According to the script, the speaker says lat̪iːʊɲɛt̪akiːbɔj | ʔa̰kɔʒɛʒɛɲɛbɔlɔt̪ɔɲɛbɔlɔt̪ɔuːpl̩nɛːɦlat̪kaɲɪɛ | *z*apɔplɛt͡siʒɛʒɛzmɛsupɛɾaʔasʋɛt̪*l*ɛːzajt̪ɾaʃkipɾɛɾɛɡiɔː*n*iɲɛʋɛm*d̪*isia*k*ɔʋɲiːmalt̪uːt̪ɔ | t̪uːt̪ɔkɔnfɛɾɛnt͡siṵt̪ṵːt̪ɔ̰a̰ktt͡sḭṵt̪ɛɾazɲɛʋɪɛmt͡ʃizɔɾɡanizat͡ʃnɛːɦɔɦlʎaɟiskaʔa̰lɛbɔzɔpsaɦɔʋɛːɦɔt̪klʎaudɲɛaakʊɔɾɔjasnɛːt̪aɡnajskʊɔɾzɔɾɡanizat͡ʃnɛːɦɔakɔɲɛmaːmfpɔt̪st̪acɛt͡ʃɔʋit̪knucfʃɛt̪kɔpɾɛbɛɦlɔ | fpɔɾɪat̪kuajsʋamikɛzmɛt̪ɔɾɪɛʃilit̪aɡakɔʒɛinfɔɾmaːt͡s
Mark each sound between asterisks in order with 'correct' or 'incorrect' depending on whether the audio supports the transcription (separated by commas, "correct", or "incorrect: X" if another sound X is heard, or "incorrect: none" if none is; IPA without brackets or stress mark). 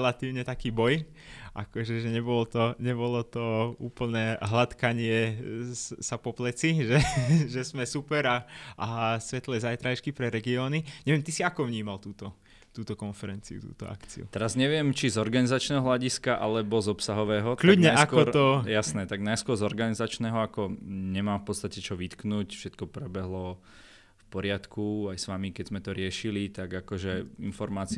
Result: incorrect: s, correct, correct, incorrect: t̪, correct